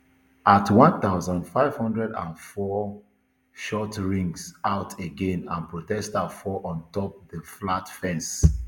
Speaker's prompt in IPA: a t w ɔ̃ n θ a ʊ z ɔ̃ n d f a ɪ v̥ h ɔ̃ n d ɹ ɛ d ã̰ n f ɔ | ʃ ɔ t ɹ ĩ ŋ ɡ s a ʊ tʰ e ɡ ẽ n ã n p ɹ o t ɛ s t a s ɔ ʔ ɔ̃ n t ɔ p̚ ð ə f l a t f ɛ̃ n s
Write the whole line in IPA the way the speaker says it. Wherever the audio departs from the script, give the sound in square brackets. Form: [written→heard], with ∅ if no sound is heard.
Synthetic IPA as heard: a t w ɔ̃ n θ a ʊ z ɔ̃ n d f a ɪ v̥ h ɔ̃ n d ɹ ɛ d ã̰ n f ɔ | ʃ ɔ t ɹ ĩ ŋ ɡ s a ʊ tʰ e ɡ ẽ n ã n p ɹ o t ɛ s t a [s→f] ɔ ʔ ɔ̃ n t ɔ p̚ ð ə f l a t f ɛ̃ n s